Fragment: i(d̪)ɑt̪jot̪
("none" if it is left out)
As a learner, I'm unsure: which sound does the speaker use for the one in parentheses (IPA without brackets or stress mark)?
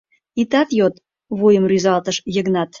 t̪